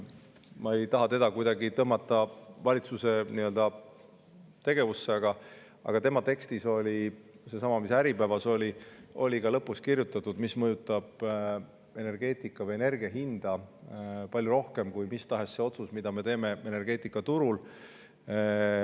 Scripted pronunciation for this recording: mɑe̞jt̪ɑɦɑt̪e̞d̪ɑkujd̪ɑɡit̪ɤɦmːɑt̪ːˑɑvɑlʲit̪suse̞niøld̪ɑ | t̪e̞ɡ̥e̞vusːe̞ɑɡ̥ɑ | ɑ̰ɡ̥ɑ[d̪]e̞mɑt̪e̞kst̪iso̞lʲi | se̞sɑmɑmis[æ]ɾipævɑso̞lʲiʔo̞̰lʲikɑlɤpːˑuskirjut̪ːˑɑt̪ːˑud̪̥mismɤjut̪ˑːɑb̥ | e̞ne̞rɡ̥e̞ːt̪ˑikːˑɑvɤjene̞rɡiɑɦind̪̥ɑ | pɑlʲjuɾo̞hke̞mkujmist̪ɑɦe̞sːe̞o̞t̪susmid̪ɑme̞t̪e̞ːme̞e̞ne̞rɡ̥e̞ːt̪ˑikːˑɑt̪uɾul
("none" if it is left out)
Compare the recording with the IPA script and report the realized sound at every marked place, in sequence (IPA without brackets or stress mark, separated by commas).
t̪, æ